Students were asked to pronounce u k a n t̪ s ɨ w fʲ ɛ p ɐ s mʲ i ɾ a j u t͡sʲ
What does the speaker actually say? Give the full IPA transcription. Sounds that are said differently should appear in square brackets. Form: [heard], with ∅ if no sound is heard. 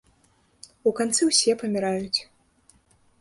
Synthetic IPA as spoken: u k a n t̪ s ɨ w [sʲ] ɛ p ɐ [∅] mʲ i ɾ a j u t͡sʲ